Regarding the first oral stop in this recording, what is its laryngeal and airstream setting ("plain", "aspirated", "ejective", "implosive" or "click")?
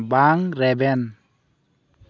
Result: plain